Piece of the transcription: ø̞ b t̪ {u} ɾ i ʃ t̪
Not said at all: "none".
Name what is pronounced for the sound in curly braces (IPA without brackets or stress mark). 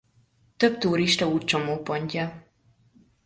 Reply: uː